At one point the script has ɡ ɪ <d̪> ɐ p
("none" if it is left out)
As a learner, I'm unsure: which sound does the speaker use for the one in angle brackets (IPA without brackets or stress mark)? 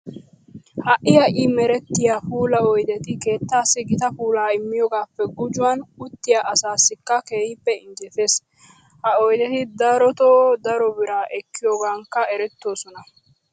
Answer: t̪